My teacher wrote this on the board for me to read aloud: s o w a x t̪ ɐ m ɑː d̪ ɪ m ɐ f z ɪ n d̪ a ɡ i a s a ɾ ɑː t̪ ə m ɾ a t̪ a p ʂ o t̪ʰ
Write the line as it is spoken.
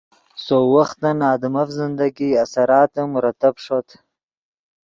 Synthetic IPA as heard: s o w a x t̪ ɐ n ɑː d̪ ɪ m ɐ f z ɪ n d̪ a ɡ i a s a ɾ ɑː t̪ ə m ɾ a t̪ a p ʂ o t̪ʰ